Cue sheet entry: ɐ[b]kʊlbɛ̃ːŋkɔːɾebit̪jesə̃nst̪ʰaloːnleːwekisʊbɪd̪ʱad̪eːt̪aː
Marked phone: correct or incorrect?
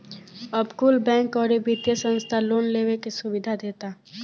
correct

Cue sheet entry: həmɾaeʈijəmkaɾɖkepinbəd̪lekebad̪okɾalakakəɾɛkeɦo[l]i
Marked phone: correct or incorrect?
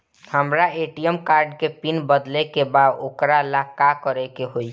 incorrect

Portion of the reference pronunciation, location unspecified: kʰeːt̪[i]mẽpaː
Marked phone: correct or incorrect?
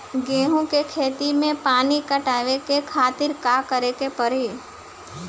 correct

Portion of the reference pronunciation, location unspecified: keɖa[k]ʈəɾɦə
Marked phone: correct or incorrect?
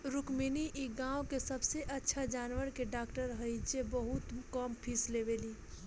correct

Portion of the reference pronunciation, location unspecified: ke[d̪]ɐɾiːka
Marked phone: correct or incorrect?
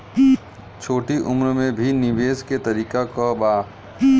incorrect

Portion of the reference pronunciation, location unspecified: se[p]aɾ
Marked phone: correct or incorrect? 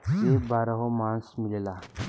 incorrect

